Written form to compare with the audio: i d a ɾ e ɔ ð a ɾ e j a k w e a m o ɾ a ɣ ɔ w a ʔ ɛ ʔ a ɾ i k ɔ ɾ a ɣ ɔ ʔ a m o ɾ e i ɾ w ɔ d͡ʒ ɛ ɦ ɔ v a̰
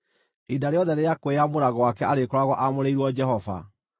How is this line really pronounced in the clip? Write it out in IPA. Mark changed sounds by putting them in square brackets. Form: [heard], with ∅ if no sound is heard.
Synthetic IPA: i d a ɾ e ɔ ð [ɛ] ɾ e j a k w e a m o ɾ a ɣ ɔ w a [k] ɛ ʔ a ɾ [e] k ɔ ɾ a ɣ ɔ ʔ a m o ɾ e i ɾ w ɔ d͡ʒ ɛ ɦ ɔ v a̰

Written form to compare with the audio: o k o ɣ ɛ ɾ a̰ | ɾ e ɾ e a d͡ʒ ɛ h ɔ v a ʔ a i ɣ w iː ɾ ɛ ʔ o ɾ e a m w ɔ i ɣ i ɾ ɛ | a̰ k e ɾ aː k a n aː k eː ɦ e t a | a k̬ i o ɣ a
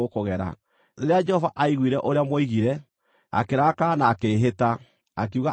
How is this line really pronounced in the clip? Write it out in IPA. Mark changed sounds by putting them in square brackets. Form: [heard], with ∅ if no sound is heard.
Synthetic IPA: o k o ɣ ɛ ɾ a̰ | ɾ e ɾ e a d͡ʒ ɛ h ɔ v a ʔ a i ɣ w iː ɾ ɛ ʔ o ɾ e a m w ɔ i ɣ i ɾ ɛ | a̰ k e ɾ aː k a n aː k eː ɦ e t a | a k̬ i [u] ɣ a

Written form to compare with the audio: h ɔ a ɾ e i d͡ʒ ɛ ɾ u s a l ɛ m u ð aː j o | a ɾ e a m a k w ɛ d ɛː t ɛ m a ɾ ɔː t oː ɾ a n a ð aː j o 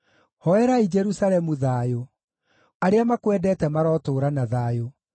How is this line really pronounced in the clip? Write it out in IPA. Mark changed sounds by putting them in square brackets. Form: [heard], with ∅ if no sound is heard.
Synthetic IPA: h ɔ [ɛ] ɾ [a] i d͡ʒ ɛ ɾ u s a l ɛ m u ð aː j o | a ɾ e a m a k w ɛ d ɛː t ɛ m a ɾ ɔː t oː ɾ a n a ð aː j o

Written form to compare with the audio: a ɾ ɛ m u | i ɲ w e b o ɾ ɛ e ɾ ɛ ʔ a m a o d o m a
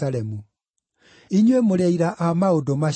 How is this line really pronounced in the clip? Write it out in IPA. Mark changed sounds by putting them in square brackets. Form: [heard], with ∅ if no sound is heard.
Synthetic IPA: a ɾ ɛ m u | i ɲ w e [m] o ɾ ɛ [i] ɾ [a] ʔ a m a o d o m a

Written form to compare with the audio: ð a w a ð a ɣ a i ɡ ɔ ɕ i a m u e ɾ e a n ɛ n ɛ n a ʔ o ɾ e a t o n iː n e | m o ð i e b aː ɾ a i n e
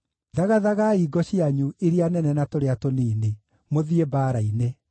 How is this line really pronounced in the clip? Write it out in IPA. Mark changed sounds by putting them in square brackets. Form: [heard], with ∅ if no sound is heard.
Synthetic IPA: ð a [ɣ] a ð a ɣ a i ɡ ɔ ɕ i a [ɲ] u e ɾ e a n ɛ n ɛ n a [t] o ɾ e a t o n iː n e | m o ð i e b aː ɾ a i n e

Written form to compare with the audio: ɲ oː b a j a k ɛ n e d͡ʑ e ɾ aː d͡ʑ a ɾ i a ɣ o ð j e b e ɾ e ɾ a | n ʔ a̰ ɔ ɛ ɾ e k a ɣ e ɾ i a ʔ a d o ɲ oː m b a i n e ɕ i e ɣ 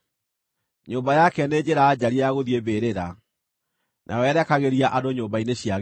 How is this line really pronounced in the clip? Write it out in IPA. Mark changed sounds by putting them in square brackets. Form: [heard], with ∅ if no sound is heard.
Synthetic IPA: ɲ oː b a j a k ɛ n e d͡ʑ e ɾ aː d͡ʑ a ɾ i a ɣ o ð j e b e ɾ e ɾ a | n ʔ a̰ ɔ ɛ ɾ [ɛ] k a ɣ e ɾ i a ʔ a d o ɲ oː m b a i n e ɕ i [a] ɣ

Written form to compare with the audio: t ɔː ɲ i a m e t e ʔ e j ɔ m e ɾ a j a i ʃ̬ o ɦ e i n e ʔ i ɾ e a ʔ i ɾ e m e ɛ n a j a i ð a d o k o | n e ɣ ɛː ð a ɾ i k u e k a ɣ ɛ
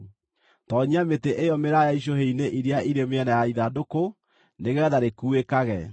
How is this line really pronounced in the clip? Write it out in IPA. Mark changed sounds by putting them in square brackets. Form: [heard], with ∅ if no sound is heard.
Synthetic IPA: t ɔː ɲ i a m e t e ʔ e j ɔ m e ɾ a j a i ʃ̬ o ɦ e i n e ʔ i ɾ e a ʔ i ɾ e m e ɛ n a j a i ð a d o k o | n e ɣ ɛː ð a ɾ [e] k u e k a ɣ ɛ

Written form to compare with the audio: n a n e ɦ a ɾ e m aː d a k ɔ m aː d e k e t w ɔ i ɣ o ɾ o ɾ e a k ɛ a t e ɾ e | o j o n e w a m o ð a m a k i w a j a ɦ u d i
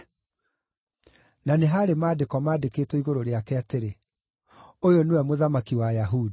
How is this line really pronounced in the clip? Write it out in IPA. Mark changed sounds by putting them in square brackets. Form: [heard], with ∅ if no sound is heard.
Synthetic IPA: n a n e ɦ a ɾ e m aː d [e] k ɔ m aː d e k e t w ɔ i ɣ o ɾ o ɾ e a k ɛ a t e ɾ e | o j o n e w [ɛ] m o ð a m a k i w a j a ɦ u d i

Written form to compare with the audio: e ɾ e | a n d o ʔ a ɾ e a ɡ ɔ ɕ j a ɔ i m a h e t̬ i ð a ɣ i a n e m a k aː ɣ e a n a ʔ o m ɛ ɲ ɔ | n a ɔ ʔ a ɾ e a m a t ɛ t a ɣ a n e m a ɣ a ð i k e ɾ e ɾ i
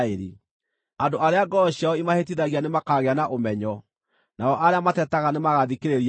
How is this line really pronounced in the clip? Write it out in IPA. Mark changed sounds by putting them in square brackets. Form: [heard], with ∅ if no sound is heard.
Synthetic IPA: e ɾ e | a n d o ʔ a ɾ e a ɡ ɔ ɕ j a ɔ i m a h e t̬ i ð a ɣ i a n e m a k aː ɣ e a n a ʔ o m ɛ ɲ ɔ | n a ɔ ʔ a ɾ e a m a t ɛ t a ɣ a n e m a ɣ a ð i k e ɾ e ɾ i

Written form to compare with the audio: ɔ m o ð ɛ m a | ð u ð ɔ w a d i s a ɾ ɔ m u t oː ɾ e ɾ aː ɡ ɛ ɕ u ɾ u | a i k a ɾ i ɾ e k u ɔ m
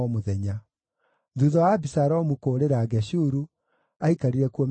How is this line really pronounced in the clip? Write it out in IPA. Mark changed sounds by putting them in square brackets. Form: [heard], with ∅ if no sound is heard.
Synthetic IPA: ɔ m o ð ɛ [ɲ] a | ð u ð ɔ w a [b] i s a ɾ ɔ m u [k] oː ɾ e ɾ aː ɡ ɛ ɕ u ɾ u | a i k a ɾ i ɾ [ɛ] k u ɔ m

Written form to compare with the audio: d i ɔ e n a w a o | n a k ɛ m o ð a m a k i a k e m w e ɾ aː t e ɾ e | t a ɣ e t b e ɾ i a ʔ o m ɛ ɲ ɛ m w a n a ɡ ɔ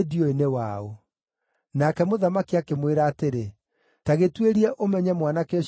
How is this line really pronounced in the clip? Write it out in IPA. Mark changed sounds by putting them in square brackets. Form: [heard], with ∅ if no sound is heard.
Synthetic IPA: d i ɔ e n [e] w a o | n a k ɛ m o ð a m a k i a k e m w e ɾ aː t e ɾ e | t a ɣ e t [w] e ɾ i [ɛ] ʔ o m ɛ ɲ ɛ m w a n a [k] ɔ

